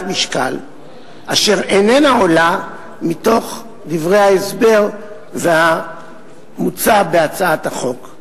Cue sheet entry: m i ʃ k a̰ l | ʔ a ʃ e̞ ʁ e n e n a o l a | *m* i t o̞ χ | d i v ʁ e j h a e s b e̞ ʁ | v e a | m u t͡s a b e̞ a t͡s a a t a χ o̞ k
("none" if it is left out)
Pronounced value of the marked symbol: m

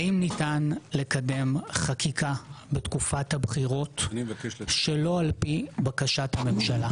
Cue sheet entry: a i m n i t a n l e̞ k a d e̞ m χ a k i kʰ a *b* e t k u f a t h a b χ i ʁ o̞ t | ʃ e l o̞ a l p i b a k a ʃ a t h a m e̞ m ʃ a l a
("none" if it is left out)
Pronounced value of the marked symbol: b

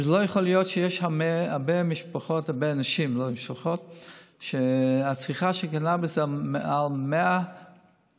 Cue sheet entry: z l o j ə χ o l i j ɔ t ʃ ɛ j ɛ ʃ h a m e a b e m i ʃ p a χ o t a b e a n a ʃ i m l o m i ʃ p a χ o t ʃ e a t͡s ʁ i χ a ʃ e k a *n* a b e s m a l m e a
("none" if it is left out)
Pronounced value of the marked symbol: n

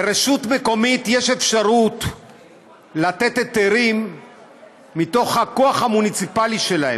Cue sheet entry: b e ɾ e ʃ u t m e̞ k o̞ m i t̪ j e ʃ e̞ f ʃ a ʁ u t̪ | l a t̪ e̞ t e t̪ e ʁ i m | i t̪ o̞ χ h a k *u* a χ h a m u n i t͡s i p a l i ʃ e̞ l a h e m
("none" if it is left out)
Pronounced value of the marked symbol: o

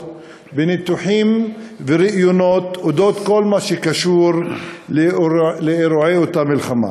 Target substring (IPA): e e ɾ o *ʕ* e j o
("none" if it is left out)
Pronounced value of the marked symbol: ʕ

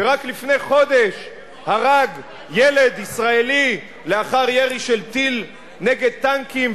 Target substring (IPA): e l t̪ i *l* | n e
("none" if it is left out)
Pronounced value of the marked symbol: l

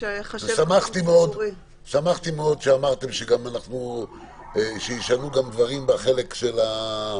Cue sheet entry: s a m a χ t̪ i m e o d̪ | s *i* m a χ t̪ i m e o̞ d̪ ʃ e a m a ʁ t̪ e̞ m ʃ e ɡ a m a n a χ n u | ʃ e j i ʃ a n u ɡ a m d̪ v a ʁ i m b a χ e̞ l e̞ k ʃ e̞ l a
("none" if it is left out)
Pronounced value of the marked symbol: a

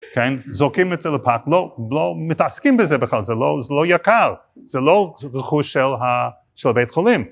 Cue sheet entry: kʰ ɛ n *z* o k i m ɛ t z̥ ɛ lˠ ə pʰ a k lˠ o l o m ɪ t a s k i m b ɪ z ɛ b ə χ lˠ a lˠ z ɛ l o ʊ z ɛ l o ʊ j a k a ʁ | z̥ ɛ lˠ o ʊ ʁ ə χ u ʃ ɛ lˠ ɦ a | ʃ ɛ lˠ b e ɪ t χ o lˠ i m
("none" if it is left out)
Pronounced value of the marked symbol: z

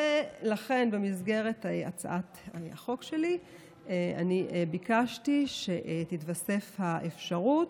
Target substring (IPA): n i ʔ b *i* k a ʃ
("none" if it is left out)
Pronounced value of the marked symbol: i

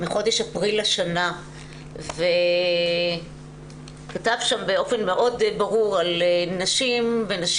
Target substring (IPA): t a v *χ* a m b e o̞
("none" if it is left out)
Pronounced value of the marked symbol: ʃ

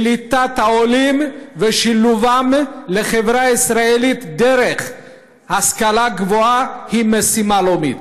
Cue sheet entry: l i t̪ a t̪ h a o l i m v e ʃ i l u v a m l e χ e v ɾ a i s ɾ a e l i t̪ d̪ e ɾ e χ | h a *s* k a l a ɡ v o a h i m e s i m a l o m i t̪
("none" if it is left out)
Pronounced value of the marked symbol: s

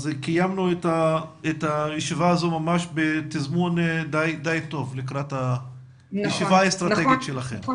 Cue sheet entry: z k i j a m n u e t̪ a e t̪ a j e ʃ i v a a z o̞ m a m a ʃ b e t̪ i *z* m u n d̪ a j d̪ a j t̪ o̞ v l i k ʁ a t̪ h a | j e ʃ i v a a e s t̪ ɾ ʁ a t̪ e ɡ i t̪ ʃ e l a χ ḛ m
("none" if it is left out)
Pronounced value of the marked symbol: z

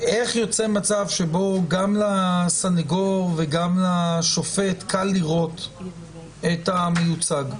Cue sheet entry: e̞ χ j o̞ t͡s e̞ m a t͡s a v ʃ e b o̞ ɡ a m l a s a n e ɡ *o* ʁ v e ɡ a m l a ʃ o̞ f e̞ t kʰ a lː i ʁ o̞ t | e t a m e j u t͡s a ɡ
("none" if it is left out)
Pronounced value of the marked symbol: o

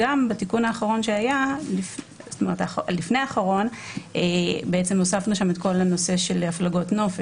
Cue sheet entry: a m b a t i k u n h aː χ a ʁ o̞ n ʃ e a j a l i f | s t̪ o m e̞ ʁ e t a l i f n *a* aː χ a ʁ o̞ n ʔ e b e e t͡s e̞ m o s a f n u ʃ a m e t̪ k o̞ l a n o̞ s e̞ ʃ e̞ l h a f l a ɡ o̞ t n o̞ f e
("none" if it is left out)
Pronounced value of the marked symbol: e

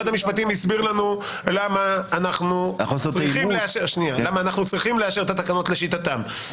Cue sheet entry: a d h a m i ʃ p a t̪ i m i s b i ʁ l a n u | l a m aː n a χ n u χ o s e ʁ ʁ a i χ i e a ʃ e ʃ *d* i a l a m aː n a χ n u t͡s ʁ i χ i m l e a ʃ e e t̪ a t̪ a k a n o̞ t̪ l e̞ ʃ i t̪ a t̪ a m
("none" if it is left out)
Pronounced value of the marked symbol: n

